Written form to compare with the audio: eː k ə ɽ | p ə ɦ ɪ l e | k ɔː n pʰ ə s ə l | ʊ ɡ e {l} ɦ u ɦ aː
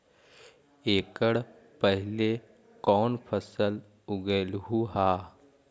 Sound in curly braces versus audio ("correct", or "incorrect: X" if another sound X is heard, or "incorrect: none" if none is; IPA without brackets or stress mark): correct